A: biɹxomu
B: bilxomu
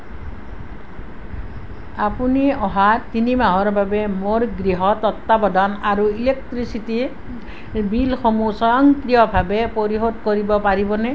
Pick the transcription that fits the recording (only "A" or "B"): B